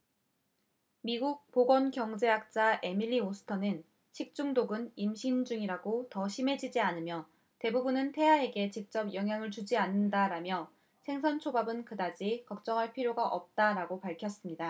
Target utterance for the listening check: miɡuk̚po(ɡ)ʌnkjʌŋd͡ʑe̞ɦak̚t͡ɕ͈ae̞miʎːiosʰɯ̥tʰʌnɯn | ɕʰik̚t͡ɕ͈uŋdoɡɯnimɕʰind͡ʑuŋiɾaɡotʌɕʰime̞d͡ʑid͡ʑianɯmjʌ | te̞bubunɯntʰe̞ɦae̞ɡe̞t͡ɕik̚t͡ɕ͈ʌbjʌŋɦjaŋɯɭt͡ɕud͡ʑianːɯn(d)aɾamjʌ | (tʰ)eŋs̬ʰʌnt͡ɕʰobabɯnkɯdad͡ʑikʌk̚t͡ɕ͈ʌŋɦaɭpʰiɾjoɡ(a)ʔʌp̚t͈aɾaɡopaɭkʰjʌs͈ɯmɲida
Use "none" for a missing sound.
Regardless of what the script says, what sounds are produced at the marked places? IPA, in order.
ɡ, d, sʰ, a

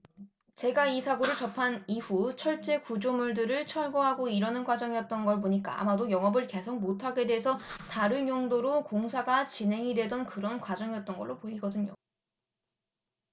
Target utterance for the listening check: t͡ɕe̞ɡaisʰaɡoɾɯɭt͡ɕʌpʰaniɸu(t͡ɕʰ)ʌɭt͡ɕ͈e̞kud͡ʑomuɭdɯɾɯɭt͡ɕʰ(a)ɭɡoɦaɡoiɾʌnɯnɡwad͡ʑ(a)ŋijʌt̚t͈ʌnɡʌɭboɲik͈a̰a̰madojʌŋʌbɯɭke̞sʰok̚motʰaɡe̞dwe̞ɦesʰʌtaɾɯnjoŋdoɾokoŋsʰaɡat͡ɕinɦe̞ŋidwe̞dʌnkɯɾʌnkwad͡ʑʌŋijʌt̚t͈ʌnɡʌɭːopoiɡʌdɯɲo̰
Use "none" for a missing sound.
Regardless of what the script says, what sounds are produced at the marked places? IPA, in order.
t͡ɕʰ, ʌ, ʌ

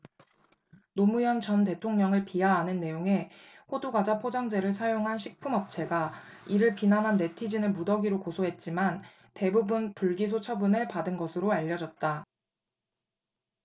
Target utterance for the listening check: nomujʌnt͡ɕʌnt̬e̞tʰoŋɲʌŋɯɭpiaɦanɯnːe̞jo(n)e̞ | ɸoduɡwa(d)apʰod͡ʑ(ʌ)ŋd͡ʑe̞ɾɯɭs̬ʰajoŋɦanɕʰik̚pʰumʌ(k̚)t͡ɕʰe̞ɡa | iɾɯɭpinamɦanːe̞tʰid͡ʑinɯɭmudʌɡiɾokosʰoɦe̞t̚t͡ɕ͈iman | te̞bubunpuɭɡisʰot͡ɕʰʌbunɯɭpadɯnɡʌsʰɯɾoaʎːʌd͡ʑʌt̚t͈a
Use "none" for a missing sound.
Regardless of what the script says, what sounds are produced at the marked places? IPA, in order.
ŋ, d͡ʑ, a, p̚

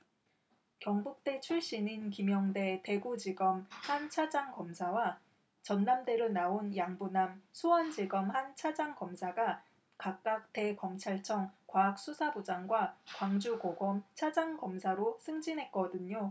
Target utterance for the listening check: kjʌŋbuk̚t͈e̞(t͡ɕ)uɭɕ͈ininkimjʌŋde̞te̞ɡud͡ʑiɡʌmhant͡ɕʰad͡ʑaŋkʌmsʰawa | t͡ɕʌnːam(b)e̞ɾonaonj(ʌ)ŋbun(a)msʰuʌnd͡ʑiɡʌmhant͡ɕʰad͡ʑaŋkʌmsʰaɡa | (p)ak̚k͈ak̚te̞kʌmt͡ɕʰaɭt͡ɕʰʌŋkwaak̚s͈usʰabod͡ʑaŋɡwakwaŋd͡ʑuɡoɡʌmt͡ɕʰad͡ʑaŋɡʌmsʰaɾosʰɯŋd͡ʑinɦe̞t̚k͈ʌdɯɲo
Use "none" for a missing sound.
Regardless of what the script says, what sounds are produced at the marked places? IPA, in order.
t͡ɕʰ, d, a, a, k

